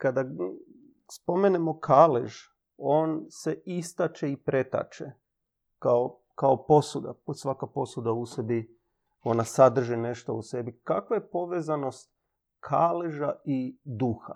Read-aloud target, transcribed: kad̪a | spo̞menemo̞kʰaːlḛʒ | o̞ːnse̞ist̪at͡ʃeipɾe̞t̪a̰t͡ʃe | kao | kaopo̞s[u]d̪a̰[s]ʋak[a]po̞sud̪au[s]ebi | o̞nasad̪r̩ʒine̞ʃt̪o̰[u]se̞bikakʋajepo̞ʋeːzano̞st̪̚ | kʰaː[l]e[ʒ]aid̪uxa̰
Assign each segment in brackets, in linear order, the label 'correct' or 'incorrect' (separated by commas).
correct, correct, correct, correct, correct, correct, correct